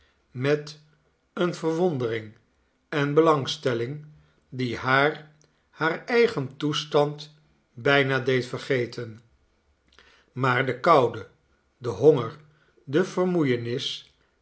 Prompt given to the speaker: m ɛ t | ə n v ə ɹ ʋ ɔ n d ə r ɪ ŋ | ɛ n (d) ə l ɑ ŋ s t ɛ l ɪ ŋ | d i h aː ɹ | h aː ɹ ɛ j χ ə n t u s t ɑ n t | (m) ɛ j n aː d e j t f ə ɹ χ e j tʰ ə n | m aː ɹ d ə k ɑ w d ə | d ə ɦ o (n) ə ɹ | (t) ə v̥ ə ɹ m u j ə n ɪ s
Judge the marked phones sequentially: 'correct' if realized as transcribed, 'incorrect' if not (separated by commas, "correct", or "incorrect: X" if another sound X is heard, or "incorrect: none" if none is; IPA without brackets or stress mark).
incorrect: b, incorrect: b, incorrect: ŋ, incorrect: d